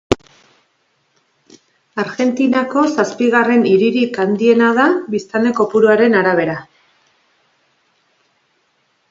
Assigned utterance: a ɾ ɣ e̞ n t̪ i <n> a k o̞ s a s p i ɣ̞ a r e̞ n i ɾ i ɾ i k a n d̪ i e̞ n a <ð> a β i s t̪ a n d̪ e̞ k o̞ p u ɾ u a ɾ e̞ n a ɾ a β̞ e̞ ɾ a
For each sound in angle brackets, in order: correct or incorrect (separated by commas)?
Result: correct, correct